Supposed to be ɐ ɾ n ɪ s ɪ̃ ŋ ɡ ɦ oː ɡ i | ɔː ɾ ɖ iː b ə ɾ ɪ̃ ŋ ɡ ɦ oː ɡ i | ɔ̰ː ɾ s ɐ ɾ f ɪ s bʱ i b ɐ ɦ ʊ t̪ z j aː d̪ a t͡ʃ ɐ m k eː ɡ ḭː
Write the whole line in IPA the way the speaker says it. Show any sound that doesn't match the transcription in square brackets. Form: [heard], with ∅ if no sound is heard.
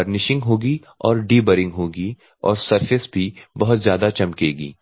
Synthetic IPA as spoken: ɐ ɾ n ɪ [ʃ] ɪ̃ ŋ ɡ ɦ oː ɡ i | ɔː ɾ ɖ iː b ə ɾ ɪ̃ ŋ ɡ ɦ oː ɡ i | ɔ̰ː ɾ s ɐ ɾ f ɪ s bʱ i b ɐ ɦ ʊ t̪ z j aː d̪ a t͡ʃ ɐ m k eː ɡ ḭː